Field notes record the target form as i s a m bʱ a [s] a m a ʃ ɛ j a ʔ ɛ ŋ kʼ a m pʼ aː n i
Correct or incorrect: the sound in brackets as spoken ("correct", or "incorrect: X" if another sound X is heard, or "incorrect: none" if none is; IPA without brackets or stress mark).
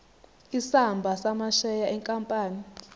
correct